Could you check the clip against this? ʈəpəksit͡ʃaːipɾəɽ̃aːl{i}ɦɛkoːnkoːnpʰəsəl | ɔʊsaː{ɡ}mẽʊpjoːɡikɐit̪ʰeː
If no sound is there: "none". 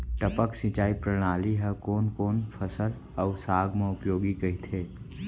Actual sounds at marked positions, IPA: i, ɡ

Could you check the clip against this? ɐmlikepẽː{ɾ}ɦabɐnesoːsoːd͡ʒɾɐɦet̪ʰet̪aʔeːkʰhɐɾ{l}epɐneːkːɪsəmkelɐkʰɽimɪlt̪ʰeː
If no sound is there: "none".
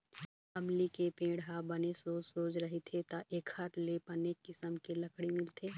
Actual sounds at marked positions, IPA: ɽ, l

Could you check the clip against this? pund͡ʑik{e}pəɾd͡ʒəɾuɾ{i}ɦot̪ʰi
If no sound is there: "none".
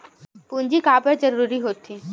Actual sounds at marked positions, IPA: a, i

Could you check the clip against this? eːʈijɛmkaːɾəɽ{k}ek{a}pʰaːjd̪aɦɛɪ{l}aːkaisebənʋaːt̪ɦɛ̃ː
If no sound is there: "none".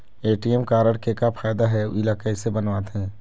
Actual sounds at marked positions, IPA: k, a, l

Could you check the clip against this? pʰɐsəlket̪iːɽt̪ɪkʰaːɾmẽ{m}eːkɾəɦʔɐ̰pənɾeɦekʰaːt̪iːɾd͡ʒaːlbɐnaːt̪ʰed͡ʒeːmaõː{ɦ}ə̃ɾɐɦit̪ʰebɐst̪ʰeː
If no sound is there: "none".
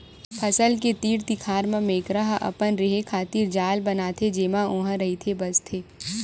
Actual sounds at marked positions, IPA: m, ɦ

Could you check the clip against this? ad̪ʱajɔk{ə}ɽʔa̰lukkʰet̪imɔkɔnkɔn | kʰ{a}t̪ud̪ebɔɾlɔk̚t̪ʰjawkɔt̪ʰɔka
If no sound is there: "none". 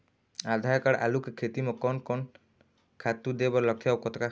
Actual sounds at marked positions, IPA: a, a

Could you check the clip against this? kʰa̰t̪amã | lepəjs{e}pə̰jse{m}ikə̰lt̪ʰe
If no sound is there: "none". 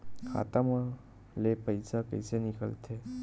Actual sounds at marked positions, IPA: a, n

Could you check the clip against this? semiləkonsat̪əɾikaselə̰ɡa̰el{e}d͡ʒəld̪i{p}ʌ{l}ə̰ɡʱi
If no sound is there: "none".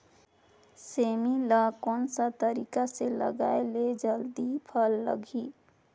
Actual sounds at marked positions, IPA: e, pʰ, lː

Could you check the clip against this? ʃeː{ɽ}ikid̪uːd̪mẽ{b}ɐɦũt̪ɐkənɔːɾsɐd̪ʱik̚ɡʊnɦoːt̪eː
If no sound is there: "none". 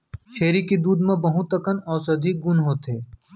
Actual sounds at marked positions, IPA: ɾ, b

